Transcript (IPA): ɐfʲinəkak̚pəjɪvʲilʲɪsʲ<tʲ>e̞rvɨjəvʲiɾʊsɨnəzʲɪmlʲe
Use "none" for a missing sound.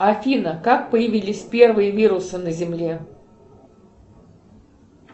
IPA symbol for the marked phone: pʲ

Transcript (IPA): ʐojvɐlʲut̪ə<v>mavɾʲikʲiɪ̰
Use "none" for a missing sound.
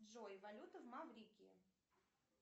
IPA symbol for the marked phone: v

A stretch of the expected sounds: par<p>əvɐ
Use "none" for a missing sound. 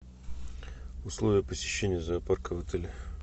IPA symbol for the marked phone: k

